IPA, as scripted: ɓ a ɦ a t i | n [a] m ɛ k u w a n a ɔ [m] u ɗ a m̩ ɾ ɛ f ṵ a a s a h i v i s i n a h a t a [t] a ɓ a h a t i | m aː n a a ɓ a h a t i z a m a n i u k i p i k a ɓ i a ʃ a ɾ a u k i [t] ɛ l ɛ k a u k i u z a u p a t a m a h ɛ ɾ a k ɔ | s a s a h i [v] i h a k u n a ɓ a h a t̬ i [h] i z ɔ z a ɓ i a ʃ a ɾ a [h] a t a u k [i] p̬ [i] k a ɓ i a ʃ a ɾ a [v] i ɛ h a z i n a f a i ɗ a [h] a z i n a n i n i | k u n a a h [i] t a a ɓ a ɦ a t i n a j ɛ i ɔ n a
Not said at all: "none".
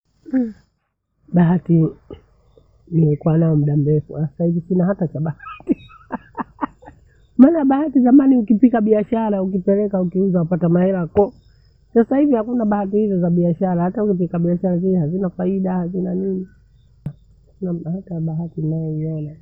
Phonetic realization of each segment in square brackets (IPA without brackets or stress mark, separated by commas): i, m, t͡ʃ, p, v, h, h, i, i, z, h, a